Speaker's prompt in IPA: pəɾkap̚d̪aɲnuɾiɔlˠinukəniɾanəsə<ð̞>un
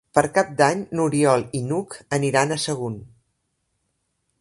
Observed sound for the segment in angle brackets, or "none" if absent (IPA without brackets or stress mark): ɣ̞